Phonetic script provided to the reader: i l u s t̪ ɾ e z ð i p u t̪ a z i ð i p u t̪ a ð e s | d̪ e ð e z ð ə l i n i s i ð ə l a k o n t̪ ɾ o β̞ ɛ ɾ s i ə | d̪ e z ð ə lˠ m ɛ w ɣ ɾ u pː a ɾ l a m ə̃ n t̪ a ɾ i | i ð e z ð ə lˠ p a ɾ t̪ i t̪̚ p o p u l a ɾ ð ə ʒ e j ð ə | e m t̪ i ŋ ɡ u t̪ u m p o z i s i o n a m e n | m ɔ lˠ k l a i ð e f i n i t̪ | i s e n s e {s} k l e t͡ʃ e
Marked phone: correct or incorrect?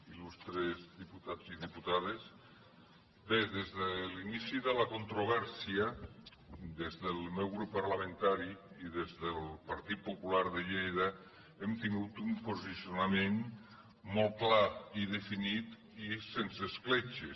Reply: correct